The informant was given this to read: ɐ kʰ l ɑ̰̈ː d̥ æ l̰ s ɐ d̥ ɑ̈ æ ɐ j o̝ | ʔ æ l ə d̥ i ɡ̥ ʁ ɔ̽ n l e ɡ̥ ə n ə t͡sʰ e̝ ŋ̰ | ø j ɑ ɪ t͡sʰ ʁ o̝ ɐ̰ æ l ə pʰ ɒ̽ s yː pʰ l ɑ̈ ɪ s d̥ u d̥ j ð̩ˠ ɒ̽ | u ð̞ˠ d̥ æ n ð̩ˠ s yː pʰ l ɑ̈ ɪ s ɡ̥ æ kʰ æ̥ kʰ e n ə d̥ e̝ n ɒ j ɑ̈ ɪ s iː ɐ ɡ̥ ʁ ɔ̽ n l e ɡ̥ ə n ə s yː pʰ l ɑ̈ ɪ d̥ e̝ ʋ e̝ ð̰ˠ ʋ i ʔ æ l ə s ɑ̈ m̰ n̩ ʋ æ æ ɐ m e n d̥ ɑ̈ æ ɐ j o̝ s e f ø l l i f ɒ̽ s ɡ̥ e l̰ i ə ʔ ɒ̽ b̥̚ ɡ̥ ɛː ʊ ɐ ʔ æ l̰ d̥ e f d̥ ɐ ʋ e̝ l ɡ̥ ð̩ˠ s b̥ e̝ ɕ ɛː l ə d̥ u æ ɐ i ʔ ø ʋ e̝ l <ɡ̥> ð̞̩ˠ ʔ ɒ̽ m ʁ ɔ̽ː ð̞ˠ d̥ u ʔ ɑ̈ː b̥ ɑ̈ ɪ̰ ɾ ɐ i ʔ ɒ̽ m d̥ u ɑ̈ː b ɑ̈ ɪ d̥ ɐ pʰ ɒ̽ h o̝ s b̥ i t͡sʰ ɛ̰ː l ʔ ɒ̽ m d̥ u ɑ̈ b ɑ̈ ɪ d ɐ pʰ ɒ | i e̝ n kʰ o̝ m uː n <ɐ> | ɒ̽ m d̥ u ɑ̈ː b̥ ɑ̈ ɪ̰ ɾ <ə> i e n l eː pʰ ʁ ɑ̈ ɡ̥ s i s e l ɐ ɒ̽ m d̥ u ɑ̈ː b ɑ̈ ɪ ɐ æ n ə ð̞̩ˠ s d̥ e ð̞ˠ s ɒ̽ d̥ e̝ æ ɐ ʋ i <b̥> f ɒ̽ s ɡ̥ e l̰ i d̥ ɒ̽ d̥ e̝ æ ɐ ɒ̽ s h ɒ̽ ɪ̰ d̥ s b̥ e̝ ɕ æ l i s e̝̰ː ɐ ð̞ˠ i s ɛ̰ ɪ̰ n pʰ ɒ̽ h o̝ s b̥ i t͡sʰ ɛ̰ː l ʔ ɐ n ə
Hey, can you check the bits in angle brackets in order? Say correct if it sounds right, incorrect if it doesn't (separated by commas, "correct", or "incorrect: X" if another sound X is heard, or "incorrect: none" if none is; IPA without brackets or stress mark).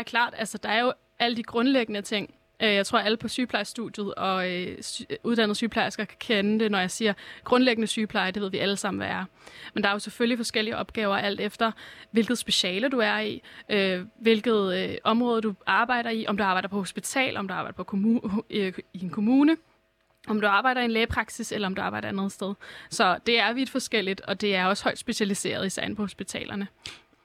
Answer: correct, incorrect: ə, incorrect: ɐ, incorrect: d̥